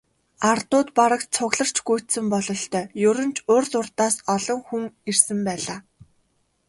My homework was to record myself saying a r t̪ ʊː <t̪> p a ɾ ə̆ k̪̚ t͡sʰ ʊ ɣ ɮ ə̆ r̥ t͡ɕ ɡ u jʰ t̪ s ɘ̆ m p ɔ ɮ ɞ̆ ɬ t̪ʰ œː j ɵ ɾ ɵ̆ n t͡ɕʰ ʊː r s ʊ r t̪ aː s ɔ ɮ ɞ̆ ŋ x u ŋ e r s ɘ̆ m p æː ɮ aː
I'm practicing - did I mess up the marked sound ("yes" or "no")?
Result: no